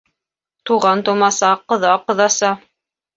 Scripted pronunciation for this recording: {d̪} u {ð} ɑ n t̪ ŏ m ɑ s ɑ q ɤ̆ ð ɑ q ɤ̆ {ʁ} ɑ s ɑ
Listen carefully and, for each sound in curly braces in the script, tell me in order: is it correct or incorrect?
incorrect: t̪, incorrect: ʁ, incorrect: ð

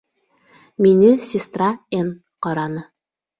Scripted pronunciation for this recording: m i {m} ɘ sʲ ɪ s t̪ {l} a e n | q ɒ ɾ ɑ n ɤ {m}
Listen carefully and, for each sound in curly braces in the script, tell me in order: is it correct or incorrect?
incorrect: n, incorrect: r, incorrect: none

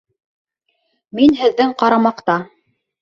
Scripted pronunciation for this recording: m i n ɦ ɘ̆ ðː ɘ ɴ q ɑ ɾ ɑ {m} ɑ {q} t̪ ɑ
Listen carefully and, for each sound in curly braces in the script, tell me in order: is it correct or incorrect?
correct, correct

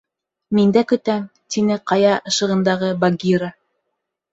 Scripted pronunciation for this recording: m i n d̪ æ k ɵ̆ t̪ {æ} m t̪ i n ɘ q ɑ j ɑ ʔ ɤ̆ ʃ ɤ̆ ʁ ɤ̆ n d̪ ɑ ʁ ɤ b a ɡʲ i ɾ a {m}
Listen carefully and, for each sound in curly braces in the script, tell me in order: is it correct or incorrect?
correct, incorrect: none

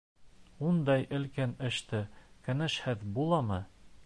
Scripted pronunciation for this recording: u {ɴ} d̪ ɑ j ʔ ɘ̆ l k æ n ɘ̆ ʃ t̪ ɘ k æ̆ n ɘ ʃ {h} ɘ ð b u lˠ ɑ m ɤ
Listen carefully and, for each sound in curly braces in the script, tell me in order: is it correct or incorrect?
incorrect: n, correct

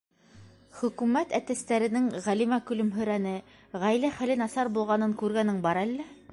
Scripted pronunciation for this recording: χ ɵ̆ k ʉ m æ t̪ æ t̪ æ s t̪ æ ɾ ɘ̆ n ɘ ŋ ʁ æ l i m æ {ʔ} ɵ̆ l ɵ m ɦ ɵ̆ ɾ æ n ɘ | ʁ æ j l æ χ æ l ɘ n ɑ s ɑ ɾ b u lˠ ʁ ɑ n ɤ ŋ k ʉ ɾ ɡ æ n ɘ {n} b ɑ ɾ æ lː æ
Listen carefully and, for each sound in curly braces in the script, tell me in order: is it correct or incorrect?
incorrect: k, incorrect: ŋ

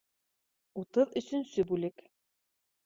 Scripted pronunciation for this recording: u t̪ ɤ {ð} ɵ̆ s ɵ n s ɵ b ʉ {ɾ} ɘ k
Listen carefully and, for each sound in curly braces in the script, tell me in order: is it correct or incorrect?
correct, incorrect: l

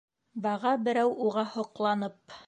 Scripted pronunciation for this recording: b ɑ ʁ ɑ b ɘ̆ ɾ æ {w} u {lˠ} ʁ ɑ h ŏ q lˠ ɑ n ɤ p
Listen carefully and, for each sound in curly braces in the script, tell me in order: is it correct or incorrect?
correct, incorrect: none

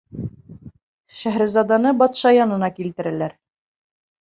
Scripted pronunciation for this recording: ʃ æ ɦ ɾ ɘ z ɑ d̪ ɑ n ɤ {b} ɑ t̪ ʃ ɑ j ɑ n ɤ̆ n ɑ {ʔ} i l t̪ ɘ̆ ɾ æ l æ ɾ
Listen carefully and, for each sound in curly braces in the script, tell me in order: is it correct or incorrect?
correct, incorrect: k

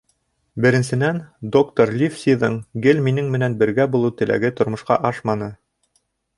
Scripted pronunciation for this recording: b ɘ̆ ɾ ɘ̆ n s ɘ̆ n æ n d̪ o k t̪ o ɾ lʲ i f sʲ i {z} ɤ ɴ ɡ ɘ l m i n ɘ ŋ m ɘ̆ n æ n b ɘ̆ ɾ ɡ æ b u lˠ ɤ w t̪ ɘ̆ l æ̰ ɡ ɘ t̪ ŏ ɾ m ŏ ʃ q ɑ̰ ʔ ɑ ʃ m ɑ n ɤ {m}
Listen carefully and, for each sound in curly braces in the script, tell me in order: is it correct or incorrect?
incorrect: ð, incorrect: none

